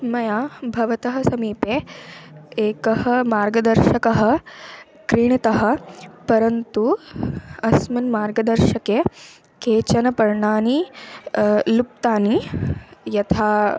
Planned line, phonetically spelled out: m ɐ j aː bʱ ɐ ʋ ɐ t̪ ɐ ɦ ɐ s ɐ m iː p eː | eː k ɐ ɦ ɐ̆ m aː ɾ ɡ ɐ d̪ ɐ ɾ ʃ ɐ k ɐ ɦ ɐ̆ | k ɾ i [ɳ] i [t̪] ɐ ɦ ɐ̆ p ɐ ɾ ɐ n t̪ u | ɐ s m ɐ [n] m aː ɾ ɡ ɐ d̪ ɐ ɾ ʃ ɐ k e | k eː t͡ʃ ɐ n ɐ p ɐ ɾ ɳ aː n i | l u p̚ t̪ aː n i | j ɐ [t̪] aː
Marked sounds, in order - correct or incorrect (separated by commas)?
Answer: correct, correct, correct, incorrect